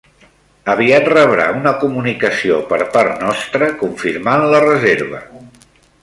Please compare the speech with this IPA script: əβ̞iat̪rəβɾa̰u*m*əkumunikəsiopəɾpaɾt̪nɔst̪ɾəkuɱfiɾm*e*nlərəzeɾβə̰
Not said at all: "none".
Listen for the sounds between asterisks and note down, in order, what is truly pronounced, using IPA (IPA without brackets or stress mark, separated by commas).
n, a